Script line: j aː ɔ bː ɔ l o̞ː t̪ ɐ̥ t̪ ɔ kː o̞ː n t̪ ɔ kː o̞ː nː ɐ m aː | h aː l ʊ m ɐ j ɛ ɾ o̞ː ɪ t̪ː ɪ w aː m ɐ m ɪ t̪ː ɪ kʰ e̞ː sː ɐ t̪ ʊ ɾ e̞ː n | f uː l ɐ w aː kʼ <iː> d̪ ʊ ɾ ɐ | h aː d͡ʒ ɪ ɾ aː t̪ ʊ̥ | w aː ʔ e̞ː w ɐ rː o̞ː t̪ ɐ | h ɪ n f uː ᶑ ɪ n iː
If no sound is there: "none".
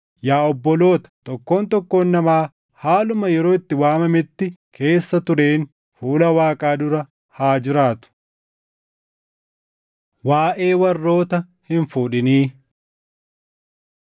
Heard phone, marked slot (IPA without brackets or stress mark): aː